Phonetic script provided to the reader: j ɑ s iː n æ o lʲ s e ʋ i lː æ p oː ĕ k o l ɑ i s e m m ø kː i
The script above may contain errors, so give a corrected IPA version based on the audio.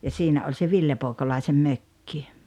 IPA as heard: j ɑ s iː n æ o lʲ s e ʋ i lː e p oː ĕ k o l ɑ i s e m m ø kː i

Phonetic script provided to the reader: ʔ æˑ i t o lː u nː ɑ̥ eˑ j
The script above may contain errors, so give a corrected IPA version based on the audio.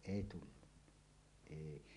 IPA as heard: ʔ eˑ i t u lː u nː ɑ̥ eˑ i

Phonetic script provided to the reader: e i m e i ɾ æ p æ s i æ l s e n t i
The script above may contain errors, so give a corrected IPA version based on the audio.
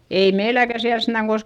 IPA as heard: e i m e i l æ k æ s i æ l s e n t æ

